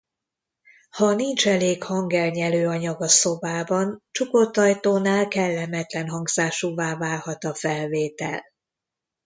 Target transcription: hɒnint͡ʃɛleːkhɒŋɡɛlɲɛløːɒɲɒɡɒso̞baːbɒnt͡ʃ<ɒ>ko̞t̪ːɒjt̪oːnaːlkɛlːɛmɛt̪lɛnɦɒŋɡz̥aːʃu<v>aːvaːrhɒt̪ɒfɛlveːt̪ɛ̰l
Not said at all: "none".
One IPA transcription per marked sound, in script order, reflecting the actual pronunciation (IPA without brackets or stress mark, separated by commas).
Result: u, v